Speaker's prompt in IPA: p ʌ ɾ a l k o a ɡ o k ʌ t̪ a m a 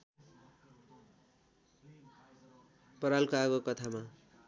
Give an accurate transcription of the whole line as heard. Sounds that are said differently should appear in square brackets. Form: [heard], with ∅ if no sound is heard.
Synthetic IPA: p ʌ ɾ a l k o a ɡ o k ʌ [t̪ʰ] a m a